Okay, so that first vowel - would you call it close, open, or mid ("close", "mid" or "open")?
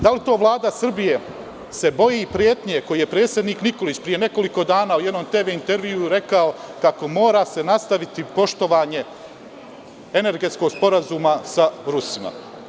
open